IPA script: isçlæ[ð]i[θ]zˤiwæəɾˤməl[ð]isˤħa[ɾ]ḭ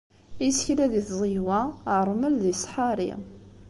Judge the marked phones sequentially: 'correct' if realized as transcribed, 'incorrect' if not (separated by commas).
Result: correct, correct, correct, correct